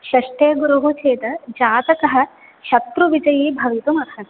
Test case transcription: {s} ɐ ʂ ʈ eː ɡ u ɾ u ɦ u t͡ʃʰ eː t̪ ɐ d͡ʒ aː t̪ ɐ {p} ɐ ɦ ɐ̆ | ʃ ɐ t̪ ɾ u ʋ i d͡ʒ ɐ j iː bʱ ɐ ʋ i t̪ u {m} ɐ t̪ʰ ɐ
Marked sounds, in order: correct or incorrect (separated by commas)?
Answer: incorrect, incorrect, correct